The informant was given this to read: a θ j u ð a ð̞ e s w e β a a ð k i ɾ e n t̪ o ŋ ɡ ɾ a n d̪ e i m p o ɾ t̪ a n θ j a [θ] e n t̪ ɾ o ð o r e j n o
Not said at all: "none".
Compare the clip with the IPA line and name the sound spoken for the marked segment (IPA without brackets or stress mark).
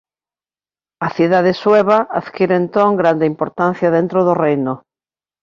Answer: ð